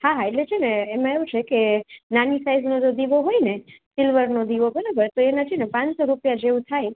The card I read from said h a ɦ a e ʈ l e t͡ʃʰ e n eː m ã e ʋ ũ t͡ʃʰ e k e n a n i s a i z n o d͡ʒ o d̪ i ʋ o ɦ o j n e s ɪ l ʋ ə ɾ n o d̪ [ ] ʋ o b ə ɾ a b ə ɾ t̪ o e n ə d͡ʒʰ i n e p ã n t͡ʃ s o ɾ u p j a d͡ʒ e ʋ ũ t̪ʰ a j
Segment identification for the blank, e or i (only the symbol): i